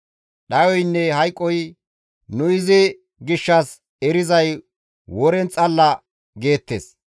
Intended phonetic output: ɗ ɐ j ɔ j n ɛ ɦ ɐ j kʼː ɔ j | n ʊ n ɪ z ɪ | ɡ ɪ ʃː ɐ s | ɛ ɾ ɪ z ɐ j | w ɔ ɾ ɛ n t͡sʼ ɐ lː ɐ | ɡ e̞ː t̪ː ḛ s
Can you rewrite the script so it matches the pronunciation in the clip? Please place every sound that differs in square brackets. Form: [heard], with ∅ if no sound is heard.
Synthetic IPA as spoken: ɗ ɐ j ɔ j [nː] ɛ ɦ ɐ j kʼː ɔ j | n ʊ [∅] ɪ z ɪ | ɡ ɪ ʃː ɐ s | ɛ ɾ ɪ z ɐ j | w ɔ ɾ ɛ n t͡sʼ ɐ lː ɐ | ɡ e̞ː t̪ː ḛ s